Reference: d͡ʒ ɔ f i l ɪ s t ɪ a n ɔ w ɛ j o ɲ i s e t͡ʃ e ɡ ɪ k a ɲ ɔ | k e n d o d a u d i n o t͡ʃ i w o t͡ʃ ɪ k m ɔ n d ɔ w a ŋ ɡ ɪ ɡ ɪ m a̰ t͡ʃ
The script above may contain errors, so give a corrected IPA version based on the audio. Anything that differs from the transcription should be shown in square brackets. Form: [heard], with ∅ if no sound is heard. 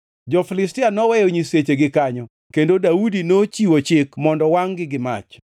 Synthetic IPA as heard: d͡ʒ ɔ f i l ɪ s t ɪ a n ɔ w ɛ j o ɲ i s e t͡ʃ e ɡ ɪ k a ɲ ɔ | k e n d o d a u d i n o t͡ʃ i w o t͡ʃ ɪ k m ɔ n d ɔ w a ŋ ɡ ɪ ɡ ɪ m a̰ t͡ʃ